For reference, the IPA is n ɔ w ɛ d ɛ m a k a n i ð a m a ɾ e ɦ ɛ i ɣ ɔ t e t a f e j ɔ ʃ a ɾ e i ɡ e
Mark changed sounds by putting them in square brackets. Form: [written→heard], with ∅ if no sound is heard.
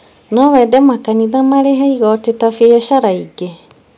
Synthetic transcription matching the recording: n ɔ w ɛ d ɛ m a k a n i ð a m a ɾ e ɦ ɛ i ɣ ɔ t e t a f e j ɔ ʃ a ɾ [e→a] i ɡ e